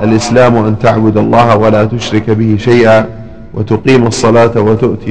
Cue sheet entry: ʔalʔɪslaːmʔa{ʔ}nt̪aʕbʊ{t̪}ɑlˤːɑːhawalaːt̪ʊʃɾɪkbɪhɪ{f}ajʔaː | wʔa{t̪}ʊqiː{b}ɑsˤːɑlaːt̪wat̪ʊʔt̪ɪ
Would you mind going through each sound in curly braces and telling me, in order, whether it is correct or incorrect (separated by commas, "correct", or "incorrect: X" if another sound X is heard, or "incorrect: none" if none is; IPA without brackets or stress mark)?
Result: incorrect: none, incorrect: d̪, incorrect: ʃ, correct, incorrect: m